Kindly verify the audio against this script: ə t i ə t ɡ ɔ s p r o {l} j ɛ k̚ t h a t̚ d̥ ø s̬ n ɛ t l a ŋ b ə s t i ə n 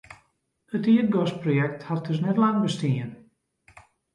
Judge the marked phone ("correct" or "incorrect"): incorrect